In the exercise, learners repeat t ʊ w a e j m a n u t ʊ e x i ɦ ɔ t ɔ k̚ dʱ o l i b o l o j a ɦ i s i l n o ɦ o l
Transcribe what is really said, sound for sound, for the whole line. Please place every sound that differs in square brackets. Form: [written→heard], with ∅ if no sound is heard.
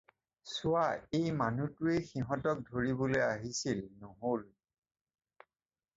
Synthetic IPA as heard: [t→s] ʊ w a e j m a n u t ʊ e x i ɦ ɔ t ɔ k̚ dʱ o [l→ɹ] i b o l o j a ɦ i s i l n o ɦ o l

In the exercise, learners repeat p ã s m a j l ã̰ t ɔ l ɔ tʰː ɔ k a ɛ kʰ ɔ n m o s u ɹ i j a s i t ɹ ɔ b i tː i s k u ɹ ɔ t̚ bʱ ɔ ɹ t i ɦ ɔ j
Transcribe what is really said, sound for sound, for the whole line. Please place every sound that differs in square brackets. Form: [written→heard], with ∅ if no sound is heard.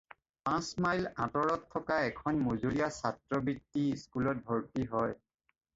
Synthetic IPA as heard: p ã s m a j l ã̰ t ɔ [l→ɹ] ɔ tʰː ɔ k a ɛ kʰ ɔ n m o [s→z] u [ɹ→l] i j a s [i→a] t ɹ ɔ b i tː i s k u [ɹ→l] ɔ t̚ bʱ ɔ ɹ t i ɦ ɔ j

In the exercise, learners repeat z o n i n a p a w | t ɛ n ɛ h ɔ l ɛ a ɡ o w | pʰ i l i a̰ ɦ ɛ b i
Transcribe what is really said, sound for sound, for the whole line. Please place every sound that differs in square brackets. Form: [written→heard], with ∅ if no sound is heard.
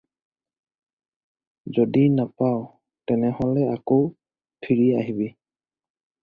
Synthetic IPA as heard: z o [n→d] i n a p a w | t ɛ n ɛ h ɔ l ɛ a [ɡ→k] o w | pʰ i [l→ɹ] i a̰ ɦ [ɛ→i] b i

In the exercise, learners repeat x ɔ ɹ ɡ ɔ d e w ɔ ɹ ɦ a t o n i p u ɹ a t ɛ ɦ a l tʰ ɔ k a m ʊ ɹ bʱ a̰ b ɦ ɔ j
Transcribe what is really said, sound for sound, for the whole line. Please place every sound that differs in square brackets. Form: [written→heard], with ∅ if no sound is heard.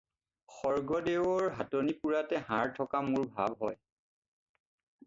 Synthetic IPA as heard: x ɔ ɹ ɡ ɔ d e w ɔ ɹ ɦ a t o n i p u ɹ a t ɛ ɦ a [l→ɹ] tʰ ɔ k a m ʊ ɹ bʱ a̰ b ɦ ɔ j

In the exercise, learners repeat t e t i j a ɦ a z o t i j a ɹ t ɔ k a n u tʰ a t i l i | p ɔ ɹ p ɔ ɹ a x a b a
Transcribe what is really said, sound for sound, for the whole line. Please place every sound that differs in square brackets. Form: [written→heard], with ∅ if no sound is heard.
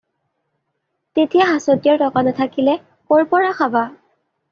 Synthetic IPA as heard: t e t i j a ɦ a [z→s] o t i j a ɹ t ɔ k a n [u→ɔ] tʰ a [t→k] i l [i→ɛ] | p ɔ ɹ p ɔ ɹ a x a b a

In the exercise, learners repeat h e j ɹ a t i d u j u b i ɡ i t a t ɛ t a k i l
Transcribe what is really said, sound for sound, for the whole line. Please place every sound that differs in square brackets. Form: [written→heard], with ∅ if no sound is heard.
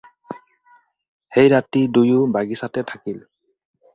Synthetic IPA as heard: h e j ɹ a t i d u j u b [i→a] ɡ i [t→s] a t ɛ [t→tʰ] a k i l

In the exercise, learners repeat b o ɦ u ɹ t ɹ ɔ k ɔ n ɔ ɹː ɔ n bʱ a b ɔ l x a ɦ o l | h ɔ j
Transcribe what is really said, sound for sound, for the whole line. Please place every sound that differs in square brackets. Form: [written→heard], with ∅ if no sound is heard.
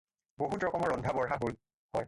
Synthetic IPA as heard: b o ɦ u [ɹ→∅] t ɹ ɔ k ɔ [n→m] ɔ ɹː ɔ n [bʱ→dʱ] a b ɔ [l→ɹ] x a ɦ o l | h ɔ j

